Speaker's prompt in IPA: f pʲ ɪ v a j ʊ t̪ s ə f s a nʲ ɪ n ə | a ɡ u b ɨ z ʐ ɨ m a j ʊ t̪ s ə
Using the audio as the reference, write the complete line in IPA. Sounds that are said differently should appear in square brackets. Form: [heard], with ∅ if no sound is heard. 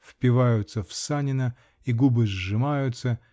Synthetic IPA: f pʲ ɪ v a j ʊ t̪ s ə f s a nʲ ɪ n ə | [i] ɡ u b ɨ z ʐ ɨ m a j ʊ t̪ s ə

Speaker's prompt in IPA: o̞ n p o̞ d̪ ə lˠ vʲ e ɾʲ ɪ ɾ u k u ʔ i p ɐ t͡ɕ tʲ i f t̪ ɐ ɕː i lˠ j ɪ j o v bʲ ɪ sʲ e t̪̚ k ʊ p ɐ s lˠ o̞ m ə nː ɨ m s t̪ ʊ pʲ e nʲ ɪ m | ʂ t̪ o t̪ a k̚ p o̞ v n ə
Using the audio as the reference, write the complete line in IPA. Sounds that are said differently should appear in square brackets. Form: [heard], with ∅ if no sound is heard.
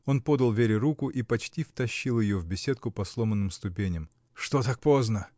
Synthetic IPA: o̞ n p o̞ d̪ ə lˠ vʲ e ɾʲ ɪ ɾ u k [ʊ] ʔ i p ɐ t͡ɕ tʲ i f t̪ ɐ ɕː i lˠ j ɪ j o v bʲ ɪ sʲ e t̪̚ k ʊ p ɐ s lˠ o̞ m ə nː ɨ m s t̪ ʊ pʲ e nʲ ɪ m | ʂ t̪ o t̪ a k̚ p o̞ [z] n ə

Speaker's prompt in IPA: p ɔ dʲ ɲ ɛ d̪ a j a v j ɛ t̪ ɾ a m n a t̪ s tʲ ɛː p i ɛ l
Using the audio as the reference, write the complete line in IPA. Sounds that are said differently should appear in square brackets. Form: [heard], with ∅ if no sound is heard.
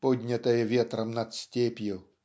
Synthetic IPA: p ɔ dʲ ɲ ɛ [t̪] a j [ɛ] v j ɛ t̪ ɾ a m n a t̪ s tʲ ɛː p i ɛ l

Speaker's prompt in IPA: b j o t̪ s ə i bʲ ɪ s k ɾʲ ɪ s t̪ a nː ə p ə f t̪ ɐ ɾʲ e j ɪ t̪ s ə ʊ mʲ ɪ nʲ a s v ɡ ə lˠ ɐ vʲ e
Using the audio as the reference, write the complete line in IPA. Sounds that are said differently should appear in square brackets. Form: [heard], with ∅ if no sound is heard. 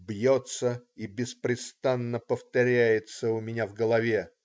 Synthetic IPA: b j o t̪ s ə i bʲ ɪ s [p] ɾʲ ɪ s t̪ a nː ə p ə f t̪ ɐ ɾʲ [æ] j ɪ t̪ s ə ʊ mʲ ɪ nʲ a [∅] v ɡ ə lˠ ɐ vʲ e

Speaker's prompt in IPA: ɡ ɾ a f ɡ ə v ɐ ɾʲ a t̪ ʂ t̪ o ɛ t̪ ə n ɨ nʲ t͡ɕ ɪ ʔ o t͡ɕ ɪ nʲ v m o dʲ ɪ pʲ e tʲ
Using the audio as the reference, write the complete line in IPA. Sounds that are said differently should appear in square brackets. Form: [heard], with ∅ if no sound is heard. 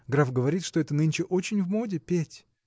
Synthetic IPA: ɡ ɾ a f ɡ ə v ɐ ɾʲ [i] t̪ ʂ t̪ o ɛ t̪ ə n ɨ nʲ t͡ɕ ɪ ʔ o t͡ɕ ɪ nʲ v m o dʲ ɪ pʲ e tʲ

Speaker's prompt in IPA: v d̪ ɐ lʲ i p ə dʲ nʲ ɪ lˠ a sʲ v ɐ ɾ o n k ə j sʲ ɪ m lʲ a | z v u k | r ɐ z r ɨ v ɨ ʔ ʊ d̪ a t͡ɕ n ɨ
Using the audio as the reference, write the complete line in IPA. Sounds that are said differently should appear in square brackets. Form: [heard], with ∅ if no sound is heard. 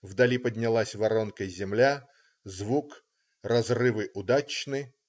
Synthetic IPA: v d̪ ɐ lʲ i p ə dʲ nʲ ɪ lˠ a sʲ v ɐ ɾ o n k ə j [zʲ] ɪ m lʲ a | z v u k | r ɐ z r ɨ v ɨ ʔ ʊ d̪ a t͡ɕ n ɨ

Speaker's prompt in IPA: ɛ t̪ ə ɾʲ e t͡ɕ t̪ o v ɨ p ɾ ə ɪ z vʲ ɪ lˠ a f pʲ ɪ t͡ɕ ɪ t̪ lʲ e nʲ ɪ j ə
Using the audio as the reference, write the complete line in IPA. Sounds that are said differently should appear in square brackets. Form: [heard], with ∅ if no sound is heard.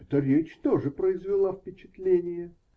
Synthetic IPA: ɛ t̪ ə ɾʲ e t͡ɕ t̪ o [ʐ] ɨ p ɾ ə ɪ z vʲ ɪ lˠ a f pʲ ɪ t͡ɕ ɪ t̪ lʲ e nʲ ɪ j ə

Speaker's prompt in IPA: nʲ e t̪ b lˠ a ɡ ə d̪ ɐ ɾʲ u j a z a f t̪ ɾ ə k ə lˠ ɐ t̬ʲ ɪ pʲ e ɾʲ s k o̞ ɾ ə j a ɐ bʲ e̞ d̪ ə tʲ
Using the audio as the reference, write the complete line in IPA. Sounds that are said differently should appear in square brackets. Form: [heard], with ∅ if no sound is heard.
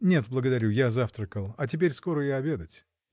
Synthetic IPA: nʲ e t̪ b lˠ [ə] ɡ ə d̪ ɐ ɾʲ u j a z a f t̪ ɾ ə k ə lˠ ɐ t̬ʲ ɪ pʲ e ɾʲ s k o̞ ɾ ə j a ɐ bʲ e̞ d̪ ə tʲ

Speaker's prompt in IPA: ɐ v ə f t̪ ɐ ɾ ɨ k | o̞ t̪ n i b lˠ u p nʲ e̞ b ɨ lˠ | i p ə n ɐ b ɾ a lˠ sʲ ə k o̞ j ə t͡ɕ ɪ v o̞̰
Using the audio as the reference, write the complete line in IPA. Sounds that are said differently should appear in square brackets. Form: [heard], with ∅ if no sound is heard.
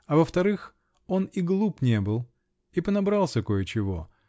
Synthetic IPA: ɐ v ə f t̪ ɐ ɾ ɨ [x] | o̞ [∅] n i [ɡ] lˠ u p nʲ e̞ b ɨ lˠ | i p ə n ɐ b ɾ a lˠ sʲ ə k o̞ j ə t͡ɕ ɪ v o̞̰

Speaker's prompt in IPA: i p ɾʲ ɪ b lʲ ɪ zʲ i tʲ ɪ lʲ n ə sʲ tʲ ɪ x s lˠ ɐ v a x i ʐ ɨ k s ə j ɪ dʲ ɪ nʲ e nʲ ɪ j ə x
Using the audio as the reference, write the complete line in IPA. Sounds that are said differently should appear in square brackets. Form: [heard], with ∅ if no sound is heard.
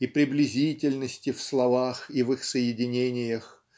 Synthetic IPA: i p ɾʲ ɪ b lʲ ɪ zʲ i tʲ ɪ lʲ n ə sʲ tʲ ɪ [f] s lˠ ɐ v a x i [v] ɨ [x] s ə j ɪ dʲ ɪ nʲ e nʲ ɪ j ə x

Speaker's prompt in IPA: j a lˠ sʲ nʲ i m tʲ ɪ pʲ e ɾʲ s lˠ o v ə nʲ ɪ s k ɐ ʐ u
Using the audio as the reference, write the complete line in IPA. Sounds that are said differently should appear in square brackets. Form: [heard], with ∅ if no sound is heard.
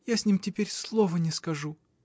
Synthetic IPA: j a [∅] sʲ nʲ i m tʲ ɪ pʲ e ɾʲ s lˠ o v ə nʲ ɪ s k ɐ ʐ u

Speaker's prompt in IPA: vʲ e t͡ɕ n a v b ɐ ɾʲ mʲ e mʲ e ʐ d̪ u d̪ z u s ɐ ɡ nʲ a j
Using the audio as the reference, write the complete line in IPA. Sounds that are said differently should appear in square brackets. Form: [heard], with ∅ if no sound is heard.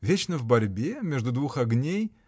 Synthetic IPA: vʲ e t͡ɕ n [ə] v b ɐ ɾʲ [bʲ] e mʲ e ʐ d̪ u d̪ [v] u [x] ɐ ɡ nʲ [e] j

